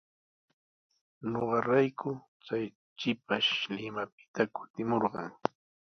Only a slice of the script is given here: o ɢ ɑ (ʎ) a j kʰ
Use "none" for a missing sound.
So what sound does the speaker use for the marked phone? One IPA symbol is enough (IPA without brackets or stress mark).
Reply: ɾ